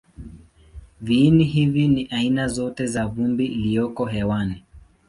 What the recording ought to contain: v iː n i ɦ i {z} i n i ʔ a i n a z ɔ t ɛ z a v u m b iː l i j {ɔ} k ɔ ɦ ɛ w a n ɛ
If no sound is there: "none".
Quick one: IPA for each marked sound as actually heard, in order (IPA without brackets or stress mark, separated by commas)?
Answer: v, ɔ